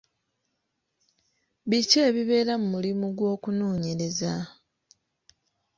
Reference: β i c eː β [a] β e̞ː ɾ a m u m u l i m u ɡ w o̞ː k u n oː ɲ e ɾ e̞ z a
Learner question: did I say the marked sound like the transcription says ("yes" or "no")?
no